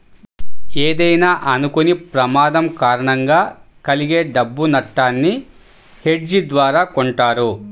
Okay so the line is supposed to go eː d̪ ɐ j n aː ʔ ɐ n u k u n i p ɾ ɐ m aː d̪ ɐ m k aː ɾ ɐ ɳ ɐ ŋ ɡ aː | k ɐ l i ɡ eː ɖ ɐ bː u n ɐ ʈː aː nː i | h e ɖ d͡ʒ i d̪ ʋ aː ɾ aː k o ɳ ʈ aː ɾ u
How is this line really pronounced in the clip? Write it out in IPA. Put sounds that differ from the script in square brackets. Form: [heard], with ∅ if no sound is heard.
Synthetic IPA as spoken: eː d̪ ɐ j n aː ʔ ɐ n u k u n i p ɾ ɐ m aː d̪ ɐ m k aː ɾ ɐ ɳ ɐ ŋ ɡ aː | k ɐ l i ɡ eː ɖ ɐ bː u n ɐ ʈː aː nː i | h e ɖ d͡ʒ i d̪ ʋ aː ɾ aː k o ɳ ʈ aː ɾ u